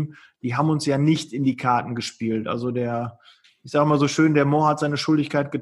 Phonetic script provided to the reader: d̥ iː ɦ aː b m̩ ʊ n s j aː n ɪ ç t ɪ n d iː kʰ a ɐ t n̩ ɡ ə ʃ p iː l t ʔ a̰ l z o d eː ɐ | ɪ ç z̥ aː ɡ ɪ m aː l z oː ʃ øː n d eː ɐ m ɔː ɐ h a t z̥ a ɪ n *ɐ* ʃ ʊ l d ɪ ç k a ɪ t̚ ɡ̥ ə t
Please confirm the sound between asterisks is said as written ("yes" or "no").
no